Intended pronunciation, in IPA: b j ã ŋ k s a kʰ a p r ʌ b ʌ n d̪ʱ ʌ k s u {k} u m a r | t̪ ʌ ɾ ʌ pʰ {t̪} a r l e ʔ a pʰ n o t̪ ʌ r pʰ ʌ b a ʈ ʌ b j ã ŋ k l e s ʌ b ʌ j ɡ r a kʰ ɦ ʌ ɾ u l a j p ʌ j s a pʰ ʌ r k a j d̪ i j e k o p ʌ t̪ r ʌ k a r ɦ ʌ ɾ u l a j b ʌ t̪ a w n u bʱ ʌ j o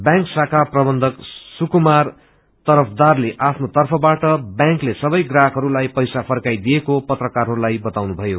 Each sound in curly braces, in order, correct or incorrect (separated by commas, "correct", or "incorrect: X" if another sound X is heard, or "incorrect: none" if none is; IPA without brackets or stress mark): correct, incorrect: d̪